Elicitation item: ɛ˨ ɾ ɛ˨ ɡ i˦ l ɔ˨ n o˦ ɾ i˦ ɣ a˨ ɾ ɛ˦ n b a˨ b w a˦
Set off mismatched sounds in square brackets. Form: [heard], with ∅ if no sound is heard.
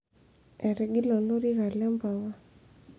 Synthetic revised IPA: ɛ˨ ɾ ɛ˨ ɡ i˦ l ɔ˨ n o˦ ɾ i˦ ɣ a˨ [l] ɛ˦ [m] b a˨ [∅] w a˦

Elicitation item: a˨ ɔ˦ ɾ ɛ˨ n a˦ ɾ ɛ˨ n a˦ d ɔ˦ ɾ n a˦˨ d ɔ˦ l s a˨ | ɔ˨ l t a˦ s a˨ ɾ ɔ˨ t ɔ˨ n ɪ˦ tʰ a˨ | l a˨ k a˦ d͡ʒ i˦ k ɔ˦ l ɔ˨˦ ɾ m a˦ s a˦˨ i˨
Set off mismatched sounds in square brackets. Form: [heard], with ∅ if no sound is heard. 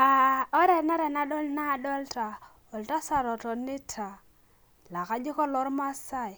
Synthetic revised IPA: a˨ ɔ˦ ɾ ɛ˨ n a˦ ɾ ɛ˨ n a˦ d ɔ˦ [l] n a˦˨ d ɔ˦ l [t] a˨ | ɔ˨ l t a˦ s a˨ ɾ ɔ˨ t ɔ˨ n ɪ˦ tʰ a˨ | l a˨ k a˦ d͡ʒ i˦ k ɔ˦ l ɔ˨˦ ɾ m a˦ s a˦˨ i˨

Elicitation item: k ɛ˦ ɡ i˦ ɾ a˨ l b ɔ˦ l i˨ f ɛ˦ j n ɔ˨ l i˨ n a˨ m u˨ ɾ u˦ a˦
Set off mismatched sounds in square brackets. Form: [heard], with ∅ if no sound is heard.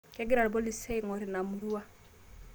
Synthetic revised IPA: k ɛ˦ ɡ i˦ ɾ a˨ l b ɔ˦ l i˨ [s] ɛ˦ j [ŋ] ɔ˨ [ɾ] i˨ n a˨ m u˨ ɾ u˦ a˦

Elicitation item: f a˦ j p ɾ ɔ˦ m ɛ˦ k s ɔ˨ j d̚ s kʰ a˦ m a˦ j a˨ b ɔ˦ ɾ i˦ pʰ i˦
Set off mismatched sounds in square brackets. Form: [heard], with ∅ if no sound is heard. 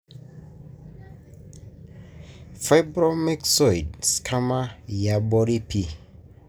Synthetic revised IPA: f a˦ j [b] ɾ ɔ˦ m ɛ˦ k s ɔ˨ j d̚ s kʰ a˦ m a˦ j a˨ b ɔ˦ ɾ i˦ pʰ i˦

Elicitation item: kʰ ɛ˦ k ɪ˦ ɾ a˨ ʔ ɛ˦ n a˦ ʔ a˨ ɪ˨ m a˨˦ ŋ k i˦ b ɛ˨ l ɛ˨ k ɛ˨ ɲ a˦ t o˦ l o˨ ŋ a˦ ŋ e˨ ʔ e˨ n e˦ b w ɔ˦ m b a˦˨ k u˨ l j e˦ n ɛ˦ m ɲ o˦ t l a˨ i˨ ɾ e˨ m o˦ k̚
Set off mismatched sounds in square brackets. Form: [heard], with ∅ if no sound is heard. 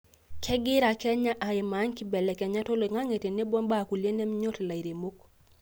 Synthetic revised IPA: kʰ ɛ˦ [ɡ] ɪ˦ ɾ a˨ [k] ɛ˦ [ɲ] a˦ ʔ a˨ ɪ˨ m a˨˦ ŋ k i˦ b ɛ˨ l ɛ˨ k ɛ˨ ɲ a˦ t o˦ l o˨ ŋ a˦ ŋ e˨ [t] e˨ n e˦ b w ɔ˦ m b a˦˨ k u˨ l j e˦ n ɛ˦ m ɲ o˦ t l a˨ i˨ ɾ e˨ m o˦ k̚

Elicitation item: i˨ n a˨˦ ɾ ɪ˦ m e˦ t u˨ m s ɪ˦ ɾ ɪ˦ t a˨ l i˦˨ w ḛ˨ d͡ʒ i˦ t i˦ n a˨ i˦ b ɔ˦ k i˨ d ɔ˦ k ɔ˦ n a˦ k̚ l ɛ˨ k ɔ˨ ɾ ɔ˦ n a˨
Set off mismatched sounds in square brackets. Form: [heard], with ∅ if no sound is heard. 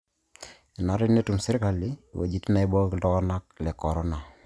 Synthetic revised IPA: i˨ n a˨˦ ɾ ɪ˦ [n] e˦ t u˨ m s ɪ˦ ɾ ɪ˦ [k] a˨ l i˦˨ w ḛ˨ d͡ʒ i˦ t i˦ n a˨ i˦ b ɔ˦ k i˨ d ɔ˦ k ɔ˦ n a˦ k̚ l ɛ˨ k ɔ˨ ɾ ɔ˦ n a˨

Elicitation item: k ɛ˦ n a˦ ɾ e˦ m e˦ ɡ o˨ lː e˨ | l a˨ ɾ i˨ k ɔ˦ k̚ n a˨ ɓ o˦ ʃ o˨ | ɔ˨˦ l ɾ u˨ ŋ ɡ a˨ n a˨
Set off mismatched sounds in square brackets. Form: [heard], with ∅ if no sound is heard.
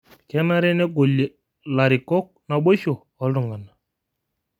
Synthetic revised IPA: k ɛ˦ n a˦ ɾ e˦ [n] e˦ ɡ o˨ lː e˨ | l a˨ ɾ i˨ k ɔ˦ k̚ n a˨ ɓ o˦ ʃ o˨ | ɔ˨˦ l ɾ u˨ ŋ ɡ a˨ n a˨

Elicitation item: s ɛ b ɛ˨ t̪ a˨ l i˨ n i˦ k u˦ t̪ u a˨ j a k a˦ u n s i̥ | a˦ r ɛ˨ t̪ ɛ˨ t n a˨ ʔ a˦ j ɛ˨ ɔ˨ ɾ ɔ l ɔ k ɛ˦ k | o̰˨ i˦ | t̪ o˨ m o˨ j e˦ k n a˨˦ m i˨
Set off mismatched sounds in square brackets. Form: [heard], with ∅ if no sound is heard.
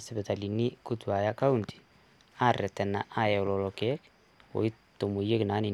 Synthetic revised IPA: s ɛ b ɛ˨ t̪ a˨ l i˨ n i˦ k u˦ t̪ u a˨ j a k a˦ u n [t] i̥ | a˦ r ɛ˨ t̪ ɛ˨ [∅] n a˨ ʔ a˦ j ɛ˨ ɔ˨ [l] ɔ l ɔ k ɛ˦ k | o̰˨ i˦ | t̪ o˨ m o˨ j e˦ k n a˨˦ [n] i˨

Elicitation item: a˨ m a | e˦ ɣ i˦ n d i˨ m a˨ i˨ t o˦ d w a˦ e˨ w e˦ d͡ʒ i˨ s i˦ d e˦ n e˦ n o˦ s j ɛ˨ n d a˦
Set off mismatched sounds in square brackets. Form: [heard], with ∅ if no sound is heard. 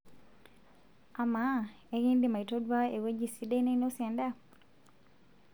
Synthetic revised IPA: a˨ m a | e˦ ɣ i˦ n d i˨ m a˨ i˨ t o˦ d w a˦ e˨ w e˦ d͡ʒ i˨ s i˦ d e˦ n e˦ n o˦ s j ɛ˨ n d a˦

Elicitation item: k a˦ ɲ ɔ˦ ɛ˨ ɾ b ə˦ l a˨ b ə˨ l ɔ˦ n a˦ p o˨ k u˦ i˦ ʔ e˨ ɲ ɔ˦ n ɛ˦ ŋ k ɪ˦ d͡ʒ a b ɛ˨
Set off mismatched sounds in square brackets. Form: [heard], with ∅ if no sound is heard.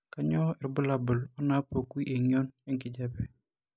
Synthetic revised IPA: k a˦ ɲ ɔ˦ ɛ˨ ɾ b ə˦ l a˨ b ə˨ l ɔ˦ n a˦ p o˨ k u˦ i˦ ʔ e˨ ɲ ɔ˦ n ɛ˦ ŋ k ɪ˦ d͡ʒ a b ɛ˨

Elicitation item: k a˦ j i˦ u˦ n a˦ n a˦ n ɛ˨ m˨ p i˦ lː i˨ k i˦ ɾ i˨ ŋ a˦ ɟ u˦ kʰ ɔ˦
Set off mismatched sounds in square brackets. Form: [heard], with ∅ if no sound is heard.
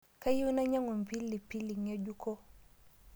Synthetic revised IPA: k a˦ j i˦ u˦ n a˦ [ɲ] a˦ [ŋ] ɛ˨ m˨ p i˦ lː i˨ [p] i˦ [l] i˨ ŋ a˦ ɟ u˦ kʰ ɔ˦

